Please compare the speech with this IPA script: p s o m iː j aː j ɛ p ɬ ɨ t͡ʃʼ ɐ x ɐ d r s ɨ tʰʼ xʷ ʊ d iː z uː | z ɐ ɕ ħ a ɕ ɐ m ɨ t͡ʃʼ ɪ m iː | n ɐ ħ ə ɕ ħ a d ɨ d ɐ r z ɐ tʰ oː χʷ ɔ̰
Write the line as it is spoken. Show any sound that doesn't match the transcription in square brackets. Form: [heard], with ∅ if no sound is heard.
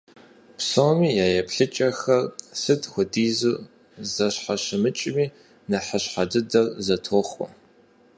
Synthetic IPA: p s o m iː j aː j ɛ p ɬ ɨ t͡ʃʼ ɐ x ɐ [∅] r s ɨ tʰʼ xʷ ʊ d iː z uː | z ɐ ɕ ħ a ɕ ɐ m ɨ t͡ʃʼ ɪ m iː | n ɐ ħ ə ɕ ħ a d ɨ d ɐ r z ɐ tʰ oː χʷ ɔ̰